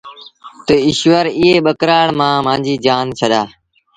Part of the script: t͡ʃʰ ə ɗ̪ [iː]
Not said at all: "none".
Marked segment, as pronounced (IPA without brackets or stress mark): aː